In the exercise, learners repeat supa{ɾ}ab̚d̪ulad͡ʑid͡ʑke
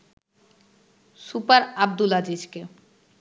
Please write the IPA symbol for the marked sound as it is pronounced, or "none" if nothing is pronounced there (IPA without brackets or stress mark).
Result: ɾ